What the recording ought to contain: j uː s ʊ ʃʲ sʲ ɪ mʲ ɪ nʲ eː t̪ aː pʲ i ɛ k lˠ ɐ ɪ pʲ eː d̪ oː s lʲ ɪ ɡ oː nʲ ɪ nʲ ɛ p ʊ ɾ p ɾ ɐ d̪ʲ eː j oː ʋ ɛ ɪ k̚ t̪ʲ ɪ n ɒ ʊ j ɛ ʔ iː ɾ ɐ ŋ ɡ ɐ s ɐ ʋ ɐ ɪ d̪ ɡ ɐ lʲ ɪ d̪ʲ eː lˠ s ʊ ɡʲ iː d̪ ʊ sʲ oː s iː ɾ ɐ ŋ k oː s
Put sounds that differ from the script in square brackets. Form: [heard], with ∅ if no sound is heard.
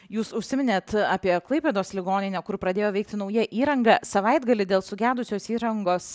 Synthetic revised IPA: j uː s ʊ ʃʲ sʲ ɪ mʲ ɪ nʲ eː t̪ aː pʲ i ɛ k lˠ ɐ ɪ pʲ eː d̪ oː s lʲ ɪ ɡ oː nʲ ɪ nʲ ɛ [k] ʊ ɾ p ɾ ɐ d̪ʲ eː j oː ʋ ɛ ɪ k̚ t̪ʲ ɪ n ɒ ʊ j ɛ ʔ iː ɾ ɐ ŋ ɡ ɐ s ɐ ʋ ɐ ɪ d̪ ɡ ɐ lʲ ɪ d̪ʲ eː lˠ s ʊ ɡʲ [æː] d̪ ʊ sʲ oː s iː ɾ ɐ ŋ [ɡ] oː s